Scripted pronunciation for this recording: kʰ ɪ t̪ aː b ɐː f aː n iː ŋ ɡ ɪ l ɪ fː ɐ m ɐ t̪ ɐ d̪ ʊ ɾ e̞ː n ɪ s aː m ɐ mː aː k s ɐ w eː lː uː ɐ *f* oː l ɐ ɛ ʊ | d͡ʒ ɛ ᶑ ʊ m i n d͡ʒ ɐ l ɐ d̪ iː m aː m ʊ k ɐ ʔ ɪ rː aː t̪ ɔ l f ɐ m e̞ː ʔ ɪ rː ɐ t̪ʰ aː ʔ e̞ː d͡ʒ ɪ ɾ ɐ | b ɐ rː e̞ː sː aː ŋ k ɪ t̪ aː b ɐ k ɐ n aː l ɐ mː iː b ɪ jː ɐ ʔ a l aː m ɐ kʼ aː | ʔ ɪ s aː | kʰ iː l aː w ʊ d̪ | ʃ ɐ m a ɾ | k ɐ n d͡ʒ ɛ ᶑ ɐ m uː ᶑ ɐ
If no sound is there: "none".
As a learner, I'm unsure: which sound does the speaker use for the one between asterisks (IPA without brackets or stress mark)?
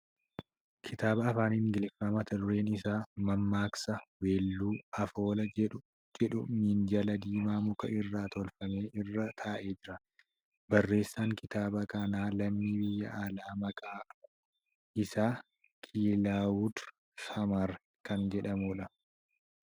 f